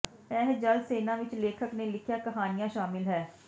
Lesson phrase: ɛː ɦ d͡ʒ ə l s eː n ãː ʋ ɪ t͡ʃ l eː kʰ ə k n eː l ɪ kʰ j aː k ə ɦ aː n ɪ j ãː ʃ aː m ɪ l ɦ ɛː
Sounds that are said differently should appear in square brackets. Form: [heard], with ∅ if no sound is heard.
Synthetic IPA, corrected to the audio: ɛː ɦ d͡ʒ ə l s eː n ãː ʋ ɪ t͡ʃ l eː kʰ ə k n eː l ɪ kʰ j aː k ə ɦ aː n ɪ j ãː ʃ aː m ɪ l ɦ ɛː